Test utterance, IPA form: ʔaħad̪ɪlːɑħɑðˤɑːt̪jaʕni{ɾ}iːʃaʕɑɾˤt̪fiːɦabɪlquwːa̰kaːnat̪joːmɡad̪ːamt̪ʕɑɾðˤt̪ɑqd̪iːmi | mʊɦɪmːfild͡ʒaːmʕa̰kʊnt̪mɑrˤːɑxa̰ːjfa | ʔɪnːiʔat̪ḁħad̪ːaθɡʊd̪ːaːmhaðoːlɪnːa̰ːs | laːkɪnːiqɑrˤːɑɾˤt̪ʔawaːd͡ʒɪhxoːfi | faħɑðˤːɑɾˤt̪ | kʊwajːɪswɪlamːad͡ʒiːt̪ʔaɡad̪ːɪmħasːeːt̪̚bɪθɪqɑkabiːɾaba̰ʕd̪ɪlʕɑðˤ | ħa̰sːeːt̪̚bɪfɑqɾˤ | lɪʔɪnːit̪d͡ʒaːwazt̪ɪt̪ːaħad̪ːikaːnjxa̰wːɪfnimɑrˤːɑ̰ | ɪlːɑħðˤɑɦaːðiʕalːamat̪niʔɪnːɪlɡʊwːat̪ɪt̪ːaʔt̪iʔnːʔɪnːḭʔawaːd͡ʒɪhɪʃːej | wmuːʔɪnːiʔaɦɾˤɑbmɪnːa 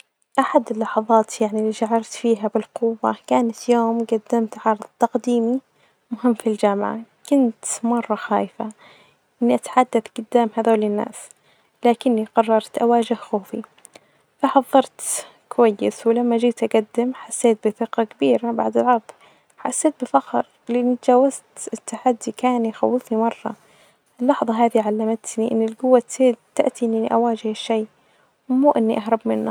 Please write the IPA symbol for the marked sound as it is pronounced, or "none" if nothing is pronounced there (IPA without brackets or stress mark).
l